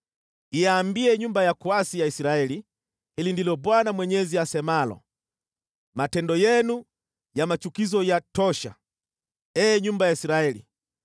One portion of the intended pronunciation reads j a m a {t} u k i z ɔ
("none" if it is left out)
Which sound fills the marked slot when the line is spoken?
t͡ʃ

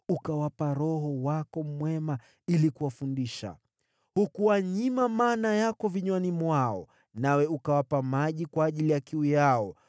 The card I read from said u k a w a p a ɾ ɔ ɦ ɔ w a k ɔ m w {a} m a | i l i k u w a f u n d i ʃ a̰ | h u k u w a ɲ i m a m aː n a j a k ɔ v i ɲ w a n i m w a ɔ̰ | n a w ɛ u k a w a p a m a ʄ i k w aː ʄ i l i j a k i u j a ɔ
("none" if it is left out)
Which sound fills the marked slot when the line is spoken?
ɛ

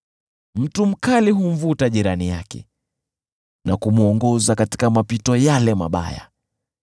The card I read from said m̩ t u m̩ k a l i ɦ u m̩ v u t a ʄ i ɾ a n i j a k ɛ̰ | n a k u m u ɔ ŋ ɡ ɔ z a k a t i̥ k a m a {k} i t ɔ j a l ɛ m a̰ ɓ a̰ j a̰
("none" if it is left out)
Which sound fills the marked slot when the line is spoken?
p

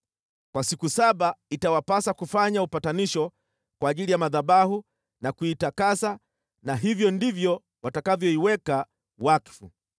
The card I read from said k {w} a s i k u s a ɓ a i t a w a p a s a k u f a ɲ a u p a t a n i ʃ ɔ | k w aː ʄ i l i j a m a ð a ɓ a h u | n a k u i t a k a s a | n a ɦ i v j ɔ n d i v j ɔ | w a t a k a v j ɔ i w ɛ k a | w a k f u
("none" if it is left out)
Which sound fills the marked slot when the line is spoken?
w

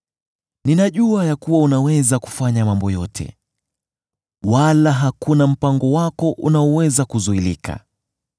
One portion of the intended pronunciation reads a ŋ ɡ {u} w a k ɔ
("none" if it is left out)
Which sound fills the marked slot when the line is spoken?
ɔ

